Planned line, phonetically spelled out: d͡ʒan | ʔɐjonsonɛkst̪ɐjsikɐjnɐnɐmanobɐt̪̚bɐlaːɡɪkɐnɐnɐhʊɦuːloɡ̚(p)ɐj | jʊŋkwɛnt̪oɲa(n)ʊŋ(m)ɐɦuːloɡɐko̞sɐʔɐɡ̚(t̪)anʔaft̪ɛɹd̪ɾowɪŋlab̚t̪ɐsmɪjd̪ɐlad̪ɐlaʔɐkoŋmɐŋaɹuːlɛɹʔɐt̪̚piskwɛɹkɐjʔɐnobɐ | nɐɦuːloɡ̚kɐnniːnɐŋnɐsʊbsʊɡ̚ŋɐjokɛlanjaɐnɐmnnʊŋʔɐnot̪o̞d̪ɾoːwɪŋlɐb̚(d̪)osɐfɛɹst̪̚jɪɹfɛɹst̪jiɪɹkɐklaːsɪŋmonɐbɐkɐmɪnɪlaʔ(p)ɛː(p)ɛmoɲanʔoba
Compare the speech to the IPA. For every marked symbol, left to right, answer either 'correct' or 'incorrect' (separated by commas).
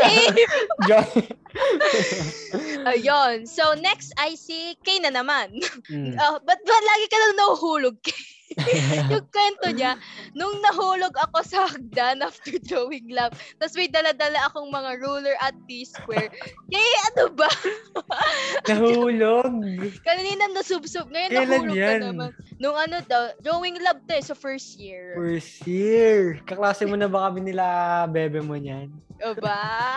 incorrect, correct, incorrect, incorrect, incorrect, incorrect, incorrect